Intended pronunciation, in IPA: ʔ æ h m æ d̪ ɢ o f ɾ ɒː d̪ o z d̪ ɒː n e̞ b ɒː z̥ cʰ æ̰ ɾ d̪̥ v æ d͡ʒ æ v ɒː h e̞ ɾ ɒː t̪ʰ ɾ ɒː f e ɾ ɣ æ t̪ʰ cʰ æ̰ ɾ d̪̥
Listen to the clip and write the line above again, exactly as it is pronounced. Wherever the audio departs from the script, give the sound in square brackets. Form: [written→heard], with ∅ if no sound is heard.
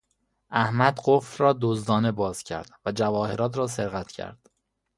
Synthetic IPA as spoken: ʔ æ h m æ d̪ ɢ o f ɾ ɒː d̪ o z d̪ ɒː n e̞ b ɒː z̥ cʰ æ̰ ɾ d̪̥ v æ d͡ʒ æ v ɒː h e̞ ɾ ɒː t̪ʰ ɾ ɒː [f→s] e ɾ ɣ æ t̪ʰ cʰ æ̰ ɾ d̪̥